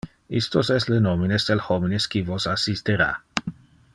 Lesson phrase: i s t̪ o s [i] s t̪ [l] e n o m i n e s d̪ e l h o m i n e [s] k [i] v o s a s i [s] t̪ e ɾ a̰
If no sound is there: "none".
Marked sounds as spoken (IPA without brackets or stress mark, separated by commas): ɛ, l, s, i, s